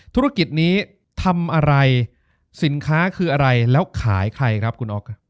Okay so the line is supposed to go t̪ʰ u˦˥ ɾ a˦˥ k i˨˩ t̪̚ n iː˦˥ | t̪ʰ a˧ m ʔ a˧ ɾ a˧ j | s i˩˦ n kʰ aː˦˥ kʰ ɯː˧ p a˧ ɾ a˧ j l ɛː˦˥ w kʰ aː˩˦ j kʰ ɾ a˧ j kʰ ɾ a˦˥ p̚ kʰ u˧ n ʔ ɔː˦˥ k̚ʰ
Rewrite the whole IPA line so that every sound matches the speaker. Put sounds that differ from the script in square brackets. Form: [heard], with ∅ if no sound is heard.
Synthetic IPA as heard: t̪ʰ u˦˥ ɾ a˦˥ k i˨˩ t̪̚ n iː˦˥ | t̪ʰ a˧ m ʔ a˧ ɾ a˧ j | s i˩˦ n kʰ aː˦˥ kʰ ɯː˧ [ʔ] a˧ ɾ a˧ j l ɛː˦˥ w kʰ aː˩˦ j kʰ ɾ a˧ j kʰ ɾ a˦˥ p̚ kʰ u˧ n ʔ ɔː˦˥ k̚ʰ